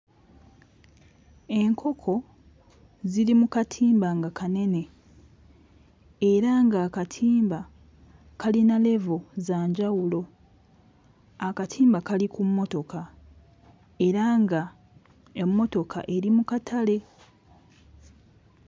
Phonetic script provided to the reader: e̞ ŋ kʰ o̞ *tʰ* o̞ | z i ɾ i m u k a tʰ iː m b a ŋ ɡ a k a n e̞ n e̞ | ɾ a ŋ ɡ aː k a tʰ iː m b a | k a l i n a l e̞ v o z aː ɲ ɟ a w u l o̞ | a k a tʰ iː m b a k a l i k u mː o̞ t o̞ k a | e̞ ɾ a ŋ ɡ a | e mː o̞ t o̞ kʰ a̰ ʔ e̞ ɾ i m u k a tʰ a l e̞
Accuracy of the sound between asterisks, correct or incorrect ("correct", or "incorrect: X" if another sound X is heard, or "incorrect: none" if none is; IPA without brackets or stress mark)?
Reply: incorrect: kʰ